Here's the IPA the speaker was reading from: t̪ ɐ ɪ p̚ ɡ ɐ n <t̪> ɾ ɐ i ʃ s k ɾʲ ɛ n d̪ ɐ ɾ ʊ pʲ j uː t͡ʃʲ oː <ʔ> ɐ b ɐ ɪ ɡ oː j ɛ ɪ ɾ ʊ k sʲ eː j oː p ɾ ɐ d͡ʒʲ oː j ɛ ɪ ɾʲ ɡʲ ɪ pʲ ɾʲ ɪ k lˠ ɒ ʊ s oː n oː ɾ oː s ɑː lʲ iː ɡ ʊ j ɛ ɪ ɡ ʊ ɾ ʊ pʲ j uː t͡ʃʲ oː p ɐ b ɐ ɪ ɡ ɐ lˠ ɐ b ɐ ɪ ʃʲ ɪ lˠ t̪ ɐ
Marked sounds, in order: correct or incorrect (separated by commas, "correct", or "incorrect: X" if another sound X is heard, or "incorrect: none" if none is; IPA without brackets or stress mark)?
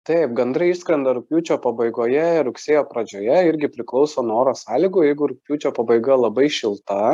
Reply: incorrect: d̪, incorrect: p